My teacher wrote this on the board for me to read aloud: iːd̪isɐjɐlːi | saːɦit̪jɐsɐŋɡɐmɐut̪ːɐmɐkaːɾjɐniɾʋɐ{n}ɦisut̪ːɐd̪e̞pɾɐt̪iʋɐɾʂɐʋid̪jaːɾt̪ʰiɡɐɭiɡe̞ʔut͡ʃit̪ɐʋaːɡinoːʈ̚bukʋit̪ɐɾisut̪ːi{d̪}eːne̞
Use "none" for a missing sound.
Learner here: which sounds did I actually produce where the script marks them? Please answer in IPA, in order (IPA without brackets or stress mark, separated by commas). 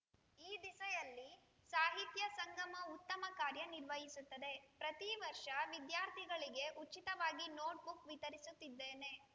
none, d̪ː